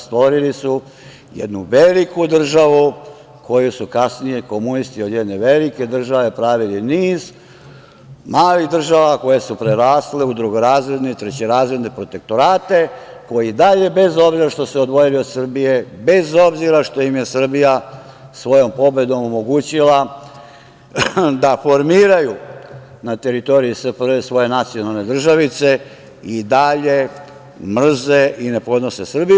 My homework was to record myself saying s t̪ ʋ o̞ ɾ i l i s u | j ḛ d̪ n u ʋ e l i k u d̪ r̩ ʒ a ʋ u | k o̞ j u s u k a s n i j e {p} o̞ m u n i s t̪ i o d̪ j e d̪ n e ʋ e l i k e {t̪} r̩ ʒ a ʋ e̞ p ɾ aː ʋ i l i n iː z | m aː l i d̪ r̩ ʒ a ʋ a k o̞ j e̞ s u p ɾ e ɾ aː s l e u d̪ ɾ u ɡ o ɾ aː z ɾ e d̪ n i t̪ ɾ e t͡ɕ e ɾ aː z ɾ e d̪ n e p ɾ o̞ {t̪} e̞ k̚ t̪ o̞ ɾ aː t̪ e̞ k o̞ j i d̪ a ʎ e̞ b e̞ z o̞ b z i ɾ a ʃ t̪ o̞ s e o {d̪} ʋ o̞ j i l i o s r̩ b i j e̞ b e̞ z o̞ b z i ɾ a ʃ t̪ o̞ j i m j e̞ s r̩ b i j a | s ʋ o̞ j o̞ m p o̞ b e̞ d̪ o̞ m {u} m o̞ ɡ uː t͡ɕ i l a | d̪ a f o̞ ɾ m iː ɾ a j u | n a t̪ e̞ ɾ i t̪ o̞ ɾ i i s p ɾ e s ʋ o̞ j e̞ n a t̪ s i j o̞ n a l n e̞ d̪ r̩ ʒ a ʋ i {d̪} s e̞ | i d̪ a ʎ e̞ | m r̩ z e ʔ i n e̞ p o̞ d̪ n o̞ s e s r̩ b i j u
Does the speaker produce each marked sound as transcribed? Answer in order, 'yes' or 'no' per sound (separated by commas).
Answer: no, no, yes, yes, no, no